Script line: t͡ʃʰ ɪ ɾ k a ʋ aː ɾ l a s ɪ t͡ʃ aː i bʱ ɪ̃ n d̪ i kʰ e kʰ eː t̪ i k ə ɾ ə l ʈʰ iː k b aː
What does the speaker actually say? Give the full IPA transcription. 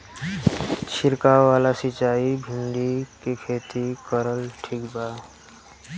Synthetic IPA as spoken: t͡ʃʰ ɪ ɾ k a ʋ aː l a s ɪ t͡ʃ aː i bʱ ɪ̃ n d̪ i k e kʰ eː t̪ i k ə ɾ ə l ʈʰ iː k b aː

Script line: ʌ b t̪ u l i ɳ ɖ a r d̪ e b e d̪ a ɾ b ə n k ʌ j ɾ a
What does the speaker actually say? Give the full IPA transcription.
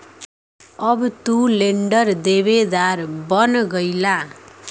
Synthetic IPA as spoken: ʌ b t̪ u l e ɳ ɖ ʌ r d̪ e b e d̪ a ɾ b ʌ n ɡ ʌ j l a

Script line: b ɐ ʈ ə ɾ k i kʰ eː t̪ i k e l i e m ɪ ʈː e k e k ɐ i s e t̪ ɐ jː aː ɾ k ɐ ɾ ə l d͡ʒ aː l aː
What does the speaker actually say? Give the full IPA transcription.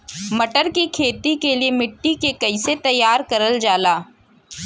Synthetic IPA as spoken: m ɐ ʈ ə ɾ k i kʰ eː t̪ i k e l i e m ɪ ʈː i k e k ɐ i s e t̪ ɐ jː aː ɾ k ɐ ɾ ə l d͡ʒ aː l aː

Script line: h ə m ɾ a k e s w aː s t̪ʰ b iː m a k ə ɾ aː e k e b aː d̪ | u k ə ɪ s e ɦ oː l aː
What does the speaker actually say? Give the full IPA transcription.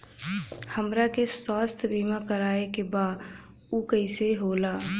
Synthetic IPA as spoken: h ə m ɾ a k e s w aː s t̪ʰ b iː m a k ə ɾ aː e k e b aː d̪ | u k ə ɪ s e ɦ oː l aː

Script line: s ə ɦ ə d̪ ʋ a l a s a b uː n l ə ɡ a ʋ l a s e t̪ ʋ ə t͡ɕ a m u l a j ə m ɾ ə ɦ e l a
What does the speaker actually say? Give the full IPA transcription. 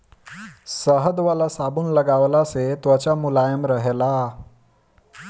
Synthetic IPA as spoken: s ə ɦ ə d̪ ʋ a l a s a b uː n l ə ɡ a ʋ l a s e t̪ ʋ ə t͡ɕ a m u l a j ə m ɾ ə ɦ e l a

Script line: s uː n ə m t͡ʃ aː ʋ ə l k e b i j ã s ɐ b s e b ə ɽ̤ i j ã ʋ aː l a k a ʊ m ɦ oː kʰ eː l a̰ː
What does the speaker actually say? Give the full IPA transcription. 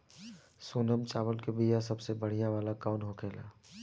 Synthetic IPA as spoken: s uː n ə m t͡ʃ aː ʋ ə l k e b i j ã s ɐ b s e b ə ɽ̤ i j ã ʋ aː l a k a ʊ n ɦ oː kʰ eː l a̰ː

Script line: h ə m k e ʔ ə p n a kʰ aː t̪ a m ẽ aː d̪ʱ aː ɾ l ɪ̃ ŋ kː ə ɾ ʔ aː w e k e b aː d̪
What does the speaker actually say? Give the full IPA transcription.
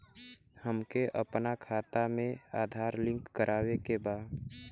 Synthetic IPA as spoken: h ə m k e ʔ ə p n a kʰ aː t̪ a m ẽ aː d̪ʱ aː ɾ l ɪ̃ ŋ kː ə ɾ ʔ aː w e k e b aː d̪

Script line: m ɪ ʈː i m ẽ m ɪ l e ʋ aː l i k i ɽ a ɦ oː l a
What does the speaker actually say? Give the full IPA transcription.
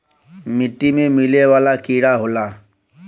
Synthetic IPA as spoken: m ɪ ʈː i m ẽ m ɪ l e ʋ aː l a k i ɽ a ɦ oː l a

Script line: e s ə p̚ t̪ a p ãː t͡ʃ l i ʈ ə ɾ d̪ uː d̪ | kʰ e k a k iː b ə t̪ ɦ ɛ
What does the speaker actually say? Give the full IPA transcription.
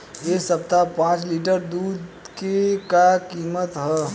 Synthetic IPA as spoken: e s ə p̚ t̪ a p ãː t͡ʃ l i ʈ ə ɾ d̪ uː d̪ | k e k a k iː m ə t̪ ɦ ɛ

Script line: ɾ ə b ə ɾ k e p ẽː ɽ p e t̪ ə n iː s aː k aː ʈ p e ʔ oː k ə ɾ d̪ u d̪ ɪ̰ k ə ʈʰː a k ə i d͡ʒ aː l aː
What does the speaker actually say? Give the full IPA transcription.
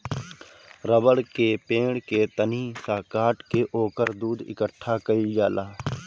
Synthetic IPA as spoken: ɾ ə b ə ɽ k e p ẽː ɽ k e t̪ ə n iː s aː k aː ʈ k e ʔ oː k ə ɾ d̪ uː d̪ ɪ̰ k ə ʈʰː a k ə i d͡ʒ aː l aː

